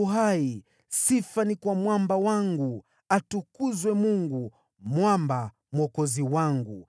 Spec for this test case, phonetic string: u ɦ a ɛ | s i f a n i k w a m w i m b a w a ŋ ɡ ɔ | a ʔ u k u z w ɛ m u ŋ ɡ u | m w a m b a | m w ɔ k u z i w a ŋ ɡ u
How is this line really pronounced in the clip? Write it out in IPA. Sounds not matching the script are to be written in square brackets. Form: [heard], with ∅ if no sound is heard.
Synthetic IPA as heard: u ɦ a [i] | s i f a n i k w a m w [a] m b a w a ŋ ɡ [u] | a [t] u k u z w ɛ m u ŋ ɡ u | m w a m b a | m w ɔ k [ɔ] z i w a ŋ ɡ u